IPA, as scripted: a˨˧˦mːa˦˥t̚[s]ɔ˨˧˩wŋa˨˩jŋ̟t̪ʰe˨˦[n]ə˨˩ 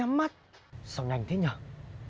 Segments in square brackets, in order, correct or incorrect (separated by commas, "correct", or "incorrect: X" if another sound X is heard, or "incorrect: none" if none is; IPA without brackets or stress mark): correct, incorrect: ɲ